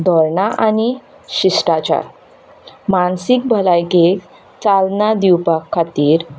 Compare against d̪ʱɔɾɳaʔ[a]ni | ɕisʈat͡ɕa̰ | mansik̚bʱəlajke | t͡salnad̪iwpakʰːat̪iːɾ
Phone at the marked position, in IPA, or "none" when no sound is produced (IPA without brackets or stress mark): a